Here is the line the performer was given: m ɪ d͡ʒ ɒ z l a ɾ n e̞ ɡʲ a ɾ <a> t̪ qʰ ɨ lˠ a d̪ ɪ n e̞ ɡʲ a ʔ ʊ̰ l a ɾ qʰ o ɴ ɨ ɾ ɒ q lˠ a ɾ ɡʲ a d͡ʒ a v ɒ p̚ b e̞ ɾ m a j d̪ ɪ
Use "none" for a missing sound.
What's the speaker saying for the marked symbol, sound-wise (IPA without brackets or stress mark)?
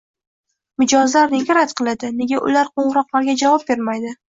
a